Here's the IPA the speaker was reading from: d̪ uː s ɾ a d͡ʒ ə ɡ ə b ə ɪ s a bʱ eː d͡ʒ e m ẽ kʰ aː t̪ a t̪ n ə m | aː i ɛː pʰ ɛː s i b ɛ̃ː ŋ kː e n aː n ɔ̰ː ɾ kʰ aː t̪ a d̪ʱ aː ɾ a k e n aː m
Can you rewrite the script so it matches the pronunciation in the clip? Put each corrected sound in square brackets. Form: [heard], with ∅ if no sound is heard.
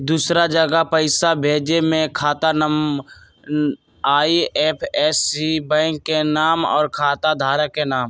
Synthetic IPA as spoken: d̪ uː s ɾ a d͡ʒ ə ɡ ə [p] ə ɪ s a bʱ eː d͡ʒ e m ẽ kʰ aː t̪ a [∅] n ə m | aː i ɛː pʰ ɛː s i b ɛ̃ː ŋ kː e n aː [m] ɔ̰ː ɾ kʰ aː t̪ a d̪ʱ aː ɾ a k e n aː m

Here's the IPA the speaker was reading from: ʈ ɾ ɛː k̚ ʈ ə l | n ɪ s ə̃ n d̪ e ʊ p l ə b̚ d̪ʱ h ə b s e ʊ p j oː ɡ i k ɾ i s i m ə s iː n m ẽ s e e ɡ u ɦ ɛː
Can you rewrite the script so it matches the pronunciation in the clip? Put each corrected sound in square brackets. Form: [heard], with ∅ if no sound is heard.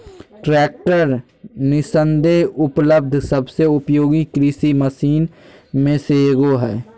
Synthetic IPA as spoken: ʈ ɾ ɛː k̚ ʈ ə [ɾ] | n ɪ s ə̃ n d̪ e ʊ p l ə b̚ d̪ʱ [s] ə b s e ʊ p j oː ɡ i k ɾ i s i m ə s iː n m ẽ s e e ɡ [o] ɦ ɛː

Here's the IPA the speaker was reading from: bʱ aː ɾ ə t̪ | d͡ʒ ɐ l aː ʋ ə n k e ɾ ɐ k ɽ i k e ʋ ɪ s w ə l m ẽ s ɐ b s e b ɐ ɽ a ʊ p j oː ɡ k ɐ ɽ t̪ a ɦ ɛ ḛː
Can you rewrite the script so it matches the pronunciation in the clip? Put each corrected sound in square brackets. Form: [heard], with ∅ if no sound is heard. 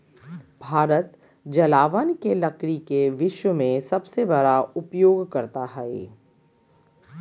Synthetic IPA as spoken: bʱ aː ɾ ə t̪ | d͡ʒ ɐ l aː ʋ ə n k e [l] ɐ k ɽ i k e ʋ ɪ [ʃ] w ə [∅] m ẽ s ɐ b s e b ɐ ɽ a ʊ p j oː ɡ k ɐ [ɾ] t̪ a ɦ ɛ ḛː

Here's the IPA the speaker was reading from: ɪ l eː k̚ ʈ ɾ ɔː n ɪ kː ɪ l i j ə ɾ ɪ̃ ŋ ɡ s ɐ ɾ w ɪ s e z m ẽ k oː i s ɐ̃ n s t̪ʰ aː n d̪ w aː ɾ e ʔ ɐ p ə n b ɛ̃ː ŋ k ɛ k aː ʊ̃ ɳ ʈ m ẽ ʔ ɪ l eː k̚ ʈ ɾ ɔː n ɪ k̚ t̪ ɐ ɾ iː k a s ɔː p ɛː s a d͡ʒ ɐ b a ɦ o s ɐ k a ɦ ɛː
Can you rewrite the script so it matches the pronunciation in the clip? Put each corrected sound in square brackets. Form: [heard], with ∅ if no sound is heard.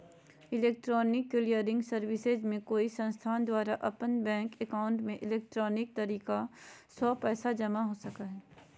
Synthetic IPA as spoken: ɪ l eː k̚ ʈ ɾ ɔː n ɪ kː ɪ l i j ə ɾ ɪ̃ ŋ ɡ s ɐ ɾ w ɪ s e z m ẽ k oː i s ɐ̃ n s t̪ʰ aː n d̪ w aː ɾ [a] ʔ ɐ p ə n b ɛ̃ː ŋ k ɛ k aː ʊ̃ ɳ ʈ m ẽ ʔ ɪ l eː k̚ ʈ ɾ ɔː n ɪ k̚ t̪ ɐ ɾ iː k a s ɔː p ɛː s a d͡ʒ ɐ [m] a ɦ o s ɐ k a ɦ ɛː

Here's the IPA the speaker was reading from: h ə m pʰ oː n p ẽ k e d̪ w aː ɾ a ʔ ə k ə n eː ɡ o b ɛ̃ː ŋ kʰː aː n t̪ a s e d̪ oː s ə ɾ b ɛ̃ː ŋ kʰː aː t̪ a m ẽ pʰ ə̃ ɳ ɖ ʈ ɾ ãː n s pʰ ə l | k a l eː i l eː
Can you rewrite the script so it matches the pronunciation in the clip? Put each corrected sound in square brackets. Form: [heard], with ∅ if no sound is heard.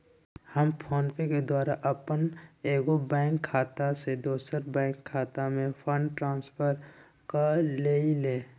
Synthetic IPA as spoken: h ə m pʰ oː n p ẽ k e d̪ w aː ɾ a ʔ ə [p] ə n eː ɡ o b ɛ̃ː ŋ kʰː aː [∅] t̪ a s e d̪ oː s ə ɾ b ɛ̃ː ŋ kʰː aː t̪ a m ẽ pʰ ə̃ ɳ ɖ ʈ ɾ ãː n s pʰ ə [ɾ] | k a l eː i l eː

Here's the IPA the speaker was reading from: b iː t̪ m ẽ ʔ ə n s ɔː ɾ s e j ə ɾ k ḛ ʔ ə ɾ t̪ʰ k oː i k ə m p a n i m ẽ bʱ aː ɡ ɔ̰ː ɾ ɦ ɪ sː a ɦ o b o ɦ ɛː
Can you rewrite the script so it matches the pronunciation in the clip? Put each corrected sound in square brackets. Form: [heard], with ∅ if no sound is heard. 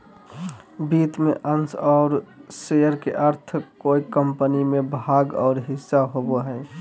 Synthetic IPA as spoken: b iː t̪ m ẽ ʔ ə n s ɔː ɾ s e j ə ɾ k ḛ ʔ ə ɾ t̪ʰ k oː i k ə m p [ə] n i m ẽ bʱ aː ɡ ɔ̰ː ɾ ɦ ɪ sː a ɦ o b o ɦ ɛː

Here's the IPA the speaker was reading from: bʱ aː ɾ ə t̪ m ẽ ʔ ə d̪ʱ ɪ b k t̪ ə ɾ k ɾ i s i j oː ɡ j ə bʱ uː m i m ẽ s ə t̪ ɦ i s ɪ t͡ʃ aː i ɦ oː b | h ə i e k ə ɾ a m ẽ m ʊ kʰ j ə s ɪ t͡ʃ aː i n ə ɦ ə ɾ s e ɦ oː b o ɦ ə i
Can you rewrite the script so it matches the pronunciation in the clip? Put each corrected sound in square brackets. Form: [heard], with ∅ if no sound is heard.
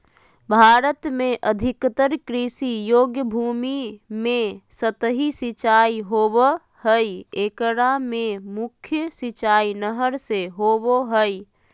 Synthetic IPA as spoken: bʱ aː ɾ ə t̪ m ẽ ʔ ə d̪ʱ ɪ [∅] k t̪ ə ɾ k ɾ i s i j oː ɡ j ə bʱ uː m i m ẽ s ə t̪ ɦ i s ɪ t͡ʃ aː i ɦ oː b | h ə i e k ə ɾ a m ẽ m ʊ kʰ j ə s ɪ t͡ʃ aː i n ə ɦ ə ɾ s e ɦ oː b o ɦ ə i

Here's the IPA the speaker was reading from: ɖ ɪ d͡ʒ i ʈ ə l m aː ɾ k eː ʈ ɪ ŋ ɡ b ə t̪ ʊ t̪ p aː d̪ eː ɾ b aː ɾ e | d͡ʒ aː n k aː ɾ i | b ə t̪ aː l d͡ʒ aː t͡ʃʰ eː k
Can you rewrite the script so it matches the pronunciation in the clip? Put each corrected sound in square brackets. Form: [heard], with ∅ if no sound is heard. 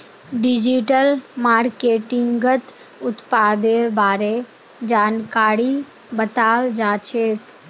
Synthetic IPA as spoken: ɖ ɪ d͡ʒ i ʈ ə l m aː ɾ k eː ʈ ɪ ŋ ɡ [ɡ] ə t̪ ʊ t̪ p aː d̪ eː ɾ b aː ɾ e | d͡ʒ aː n k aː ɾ i | b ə t̪ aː l d͡ʒ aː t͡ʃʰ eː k

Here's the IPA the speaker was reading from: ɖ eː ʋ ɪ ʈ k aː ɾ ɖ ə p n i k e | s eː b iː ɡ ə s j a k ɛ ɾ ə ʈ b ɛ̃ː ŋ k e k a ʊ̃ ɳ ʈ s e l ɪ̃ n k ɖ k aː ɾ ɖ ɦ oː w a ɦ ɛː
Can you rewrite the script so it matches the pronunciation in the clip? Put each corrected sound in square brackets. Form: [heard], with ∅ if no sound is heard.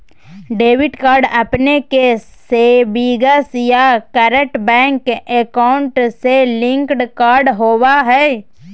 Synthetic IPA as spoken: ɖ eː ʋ ɪ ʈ k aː ɾ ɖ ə p n [e] k e | s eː b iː ɡ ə s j a k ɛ ɾ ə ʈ b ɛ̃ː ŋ k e k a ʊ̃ ɳ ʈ s e l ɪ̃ [ŋ] k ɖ k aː ɾ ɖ ɦ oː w a ɦ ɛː

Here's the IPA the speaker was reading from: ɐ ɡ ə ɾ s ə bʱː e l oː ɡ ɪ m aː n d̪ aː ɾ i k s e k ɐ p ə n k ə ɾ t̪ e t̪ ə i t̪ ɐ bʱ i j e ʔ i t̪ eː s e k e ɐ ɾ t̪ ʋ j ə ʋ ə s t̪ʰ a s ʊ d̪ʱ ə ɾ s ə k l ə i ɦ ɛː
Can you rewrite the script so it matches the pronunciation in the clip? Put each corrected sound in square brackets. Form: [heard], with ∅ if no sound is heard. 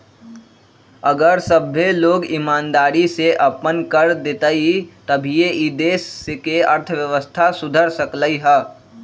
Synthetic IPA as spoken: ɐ ɡ ə ɾ s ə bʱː e l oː ɡ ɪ m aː n d̪ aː ɾ i [∅] s e [ʔ] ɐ p ə n k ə ɾ [d̪] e t̪ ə i t̪ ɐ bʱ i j e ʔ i [d̪] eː s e k e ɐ ɾ [t̪ʰ] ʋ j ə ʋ ə s t̪ʰ a s ʊ d̪ʱ ə ɾ s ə k l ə i ɦ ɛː

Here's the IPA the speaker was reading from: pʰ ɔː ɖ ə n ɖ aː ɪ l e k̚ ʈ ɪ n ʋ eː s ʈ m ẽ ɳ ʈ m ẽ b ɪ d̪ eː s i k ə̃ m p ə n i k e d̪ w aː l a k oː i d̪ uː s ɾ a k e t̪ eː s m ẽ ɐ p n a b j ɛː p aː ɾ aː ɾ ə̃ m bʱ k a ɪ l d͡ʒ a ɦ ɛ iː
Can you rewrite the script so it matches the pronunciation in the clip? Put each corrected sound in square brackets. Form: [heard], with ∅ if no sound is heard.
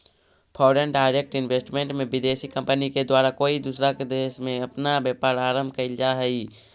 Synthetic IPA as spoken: pʰ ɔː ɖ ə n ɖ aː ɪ [ɾ] e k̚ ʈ ɪ n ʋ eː s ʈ m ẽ ɳ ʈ m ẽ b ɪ d̪ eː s i k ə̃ m p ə n i k e d̪ w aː [ɾ] a k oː i d̪ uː s ɾ a k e [d̪] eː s m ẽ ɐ p n a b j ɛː p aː ɾ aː ɾ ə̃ m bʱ k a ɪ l d͡ʒ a ɦ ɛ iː

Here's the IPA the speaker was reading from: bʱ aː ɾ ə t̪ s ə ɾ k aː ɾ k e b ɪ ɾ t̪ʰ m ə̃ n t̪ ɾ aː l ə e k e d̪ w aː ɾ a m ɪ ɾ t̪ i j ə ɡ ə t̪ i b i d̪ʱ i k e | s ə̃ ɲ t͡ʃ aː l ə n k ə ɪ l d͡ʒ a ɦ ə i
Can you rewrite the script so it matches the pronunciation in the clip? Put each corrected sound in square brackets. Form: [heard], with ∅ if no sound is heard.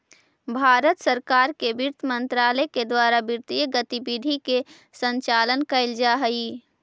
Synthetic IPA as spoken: bʱ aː ɾ ə t̪ s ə ɾ k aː ɾ k e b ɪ ɾ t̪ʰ m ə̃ n t̪ ɾ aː l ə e k e d̪ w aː ɾ a [b] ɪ ɾ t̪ i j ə ɡ ə t̪ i b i d̪ʱ i k e | s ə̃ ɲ t͡ʃ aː l ə n k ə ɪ l d͡ʒ a ɦ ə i

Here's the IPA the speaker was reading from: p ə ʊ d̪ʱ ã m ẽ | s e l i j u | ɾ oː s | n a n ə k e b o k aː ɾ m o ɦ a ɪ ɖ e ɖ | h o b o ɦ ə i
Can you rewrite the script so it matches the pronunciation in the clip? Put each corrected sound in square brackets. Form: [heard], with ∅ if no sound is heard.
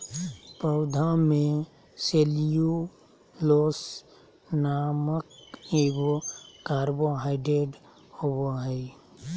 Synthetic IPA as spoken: p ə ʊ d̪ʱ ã m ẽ | s e l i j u | [l] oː s | n a [m] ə k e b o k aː ɾ [b] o ɦ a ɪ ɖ e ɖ | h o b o ɦ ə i

